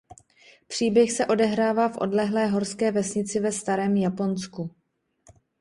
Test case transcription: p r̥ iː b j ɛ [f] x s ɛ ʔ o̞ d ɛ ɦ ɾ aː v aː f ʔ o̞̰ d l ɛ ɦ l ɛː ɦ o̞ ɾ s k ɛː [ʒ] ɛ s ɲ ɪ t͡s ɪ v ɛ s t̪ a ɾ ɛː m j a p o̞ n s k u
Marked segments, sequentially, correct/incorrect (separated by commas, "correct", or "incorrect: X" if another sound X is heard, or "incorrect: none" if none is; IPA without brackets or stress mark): incorrect: none, incorrect: v